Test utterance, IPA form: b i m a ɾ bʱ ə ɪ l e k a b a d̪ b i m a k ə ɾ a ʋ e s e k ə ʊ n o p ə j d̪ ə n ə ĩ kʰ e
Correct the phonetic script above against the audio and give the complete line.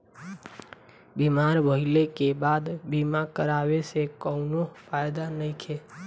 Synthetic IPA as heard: b i m a ɾ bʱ ə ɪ l e k e b a d̪ b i m a k ə ɾ a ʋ e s e k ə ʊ n o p a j d̪ a n ə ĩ kʰ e